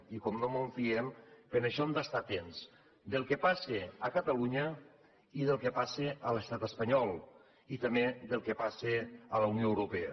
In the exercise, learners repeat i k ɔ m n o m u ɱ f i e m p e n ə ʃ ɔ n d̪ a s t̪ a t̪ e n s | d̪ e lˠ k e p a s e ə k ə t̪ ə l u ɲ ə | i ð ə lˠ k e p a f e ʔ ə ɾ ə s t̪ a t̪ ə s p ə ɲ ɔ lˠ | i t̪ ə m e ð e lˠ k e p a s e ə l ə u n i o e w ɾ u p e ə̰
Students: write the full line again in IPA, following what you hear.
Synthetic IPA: i k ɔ m n o m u ɱ f i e m p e n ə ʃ ɔ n d̪ a s t̪ a t̪ e n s | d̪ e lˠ k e p a s e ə k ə t̪ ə l u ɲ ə | i ð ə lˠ k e p a s e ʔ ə l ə s t̪ a t̪ ə s p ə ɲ ɔ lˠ | i t̪ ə m e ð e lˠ k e p a s e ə l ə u n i o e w ɾ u p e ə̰